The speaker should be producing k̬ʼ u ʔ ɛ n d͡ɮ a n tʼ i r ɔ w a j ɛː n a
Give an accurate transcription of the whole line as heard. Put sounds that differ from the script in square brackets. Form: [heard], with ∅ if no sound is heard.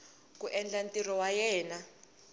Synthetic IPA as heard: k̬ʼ u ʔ ɛ n d͡ɮ a n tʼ i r ɔ w a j ɛː n a